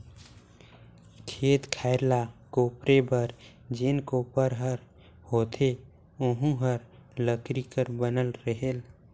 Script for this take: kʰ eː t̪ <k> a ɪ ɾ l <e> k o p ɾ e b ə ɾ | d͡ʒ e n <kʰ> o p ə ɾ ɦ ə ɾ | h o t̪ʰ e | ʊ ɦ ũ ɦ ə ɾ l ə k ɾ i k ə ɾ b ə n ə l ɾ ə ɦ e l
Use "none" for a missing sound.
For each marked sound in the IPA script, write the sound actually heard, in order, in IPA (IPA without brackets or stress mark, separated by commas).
kʰ, a, k